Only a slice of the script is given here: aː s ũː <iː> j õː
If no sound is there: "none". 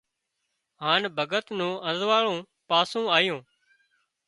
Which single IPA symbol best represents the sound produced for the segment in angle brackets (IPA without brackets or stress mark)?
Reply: aː